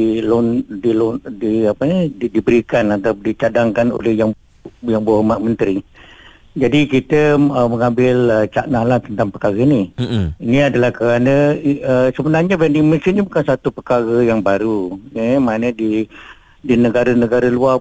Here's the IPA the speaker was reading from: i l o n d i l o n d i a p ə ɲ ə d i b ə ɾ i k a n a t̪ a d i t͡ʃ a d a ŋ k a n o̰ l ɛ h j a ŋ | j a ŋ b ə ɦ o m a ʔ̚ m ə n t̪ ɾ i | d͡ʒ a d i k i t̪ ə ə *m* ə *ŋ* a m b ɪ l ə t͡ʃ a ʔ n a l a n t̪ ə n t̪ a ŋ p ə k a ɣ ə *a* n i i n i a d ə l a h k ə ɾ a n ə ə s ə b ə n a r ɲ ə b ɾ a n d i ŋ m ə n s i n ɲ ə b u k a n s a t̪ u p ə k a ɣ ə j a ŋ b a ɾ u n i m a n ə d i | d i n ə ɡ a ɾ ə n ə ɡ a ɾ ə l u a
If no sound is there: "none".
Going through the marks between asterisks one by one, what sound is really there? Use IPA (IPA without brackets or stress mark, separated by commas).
m, ŋ, i